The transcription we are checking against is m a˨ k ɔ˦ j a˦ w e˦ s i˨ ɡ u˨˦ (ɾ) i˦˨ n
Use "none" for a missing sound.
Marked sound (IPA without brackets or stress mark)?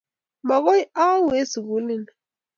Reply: l